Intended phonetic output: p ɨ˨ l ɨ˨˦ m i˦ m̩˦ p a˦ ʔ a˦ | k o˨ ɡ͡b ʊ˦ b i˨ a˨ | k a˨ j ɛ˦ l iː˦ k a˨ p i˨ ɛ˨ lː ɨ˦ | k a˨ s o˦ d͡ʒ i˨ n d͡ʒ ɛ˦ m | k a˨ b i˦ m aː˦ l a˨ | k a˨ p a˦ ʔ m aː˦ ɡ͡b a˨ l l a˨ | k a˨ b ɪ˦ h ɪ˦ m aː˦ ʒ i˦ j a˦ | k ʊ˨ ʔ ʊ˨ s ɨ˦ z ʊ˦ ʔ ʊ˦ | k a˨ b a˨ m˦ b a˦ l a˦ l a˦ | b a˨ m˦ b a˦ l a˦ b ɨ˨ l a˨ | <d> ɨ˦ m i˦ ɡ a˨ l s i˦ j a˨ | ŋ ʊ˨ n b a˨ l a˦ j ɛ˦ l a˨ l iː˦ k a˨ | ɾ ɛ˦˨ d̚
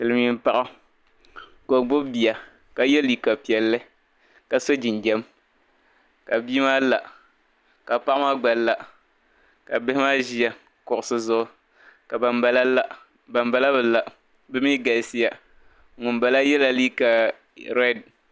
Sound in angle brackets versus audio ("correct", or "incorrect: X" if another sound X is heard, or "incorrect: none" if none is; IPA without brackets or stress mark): incorrect: b